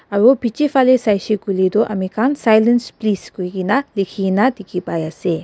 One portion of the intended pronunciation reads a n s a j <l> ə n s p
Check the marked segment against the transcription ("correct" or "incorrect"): correct